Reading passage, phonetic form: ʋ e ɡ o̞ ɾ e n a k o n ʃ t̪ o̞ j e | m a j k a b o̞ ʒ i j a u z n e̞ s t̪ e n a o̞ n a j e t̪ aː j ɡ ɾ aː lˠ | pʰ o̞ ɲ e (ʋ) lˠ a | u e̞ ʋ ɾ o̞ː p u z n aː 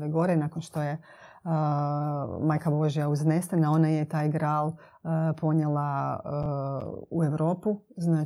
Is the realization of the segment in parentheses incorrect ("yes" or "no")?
yes